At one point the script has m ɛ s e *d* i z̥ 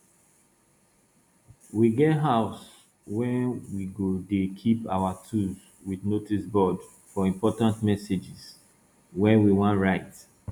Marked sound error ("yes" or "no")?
yes